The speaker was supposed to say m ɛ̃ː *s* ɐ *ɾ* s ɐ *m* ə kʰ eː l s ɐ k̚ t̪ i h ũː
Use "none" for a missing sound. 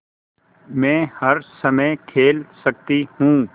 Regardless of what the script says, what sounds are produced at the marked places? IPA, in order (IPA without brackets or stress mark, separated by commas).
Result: h, ɾ, m